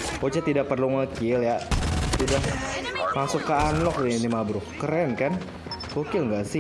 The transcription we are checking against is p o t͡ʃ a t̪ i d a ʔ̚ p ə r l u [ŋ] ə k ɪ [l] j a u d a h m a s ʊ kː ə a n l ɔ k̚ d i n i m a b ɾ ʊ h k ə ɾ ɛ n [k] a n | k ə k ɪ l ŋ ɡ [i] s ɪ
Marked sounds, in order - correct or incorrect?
correct, correct, correct, incorrect

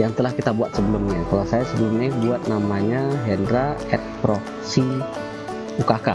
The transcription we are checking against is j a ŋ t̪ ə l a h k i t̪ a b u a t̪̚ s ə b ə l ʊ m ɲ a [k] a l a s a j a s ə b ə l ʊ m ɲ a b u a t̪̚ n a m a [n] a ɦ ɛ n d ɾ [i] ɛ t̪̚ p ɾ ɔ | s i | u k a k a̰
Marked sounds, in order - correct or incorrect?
correct, incorrect, incorrect

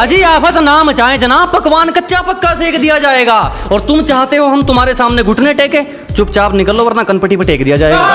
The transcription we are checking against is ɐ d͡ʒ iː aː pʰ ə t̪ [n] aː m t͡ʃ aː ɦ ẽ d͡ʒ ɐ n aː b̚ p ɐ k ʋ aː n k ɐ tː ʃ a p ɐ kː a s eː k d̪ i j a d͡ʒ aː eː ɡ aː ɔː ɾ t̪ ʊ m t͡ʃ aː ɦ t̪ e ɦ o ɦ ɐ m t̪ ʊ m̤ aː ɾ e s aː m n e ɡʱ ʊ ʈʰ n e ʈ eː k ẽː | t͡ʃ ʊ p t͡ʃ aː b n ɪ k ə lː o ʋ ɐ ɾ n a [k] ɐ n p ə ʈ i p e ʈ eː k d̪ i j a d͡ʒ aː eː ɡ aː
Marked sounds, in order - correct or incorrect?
correct, correct

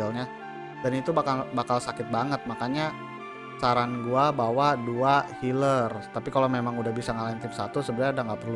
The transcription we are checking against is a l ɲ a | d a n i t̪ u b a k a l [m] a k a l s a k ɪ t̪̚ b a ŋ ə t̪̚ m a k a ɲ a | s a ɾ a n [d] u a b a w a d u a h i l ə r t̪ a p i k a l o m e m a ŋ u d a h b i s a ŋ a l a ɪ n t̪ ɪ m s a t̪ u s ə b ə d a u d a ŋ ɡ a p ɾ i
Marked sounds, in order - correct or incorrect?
incorrect, incorrect

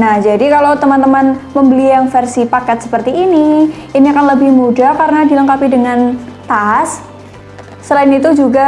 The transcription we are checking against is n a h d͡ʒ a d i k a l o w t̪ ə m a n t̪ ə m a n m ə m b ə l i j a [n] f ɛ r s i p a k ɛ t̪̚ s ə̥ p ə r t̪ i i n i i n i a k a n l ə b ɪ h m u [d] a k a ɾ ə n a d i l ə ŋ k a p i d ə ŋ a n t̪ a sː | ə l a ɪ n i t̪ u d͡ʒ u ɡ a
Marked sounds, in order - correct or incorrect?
incorrect, correct

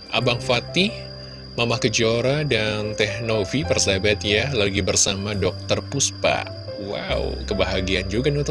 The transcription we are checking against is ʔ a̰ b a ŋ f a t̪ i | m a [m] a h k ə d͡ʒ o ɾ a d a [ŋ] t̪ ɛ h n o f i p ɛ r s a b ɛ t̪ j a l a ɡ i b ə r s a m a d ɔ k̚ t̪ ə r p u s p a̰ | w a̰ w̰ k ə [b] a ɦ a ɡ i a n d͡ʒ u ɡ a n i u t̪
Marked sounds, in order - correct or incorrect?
correct, incorrect, correct

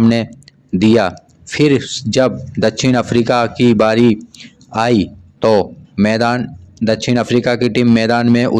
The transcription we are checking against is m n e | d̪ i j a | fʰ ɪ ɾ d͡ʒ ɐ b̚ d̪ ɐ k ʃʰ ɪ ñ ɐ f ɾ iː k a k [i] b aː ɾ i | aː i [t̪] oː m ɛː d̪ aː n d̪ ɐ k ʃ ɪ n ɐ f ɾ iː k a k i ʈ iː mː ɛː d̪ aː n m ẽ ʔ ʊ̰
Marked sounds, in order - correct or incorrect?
correct, correct

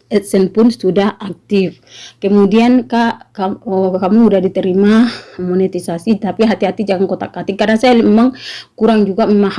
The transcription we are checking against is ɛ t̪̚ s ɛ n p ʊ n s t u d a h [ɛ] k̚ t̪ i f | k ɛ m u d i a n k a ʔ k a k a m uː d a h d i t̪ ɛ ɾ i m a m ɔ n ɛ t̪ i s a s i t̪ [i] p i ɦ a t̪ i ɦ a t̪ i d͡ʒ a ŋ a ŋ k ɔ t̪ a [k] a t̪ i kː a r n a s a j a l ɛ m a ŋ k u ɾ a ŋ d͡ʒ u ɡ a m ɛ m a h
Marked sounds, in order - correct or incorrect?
incorrect, incorrect, correct

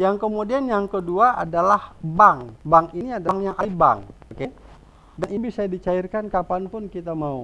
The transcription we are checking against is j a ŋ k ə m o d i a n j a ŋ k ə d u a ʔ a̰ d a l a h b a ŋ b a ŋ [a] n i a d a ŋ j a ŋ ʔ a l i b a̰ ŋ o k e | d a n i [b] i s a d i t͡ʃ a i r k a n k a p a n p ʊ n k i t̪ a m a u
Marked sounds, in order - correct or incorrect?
incorrect, correct

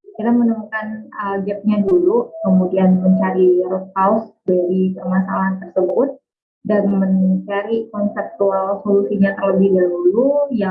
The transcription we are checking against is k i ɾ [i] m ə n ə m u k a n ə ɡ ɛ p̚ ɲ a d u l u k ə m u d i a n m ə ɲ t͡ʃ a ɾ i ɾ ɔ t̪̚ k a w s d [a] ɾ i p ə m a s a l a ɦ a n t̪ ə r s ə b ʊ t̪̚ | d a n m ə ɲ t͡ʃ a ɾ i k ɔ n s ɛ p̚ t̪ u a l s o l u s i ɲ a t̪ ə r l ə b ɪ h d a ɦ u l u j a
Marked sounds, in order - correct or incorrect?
incorrect, correct

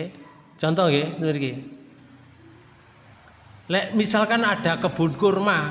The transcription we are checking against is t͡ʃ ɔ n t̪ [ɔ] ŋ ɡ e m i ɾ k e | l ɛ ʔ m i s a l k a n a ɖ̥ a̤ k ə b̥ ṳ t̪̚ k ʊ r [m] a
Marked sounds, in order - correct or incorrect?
correct, correct

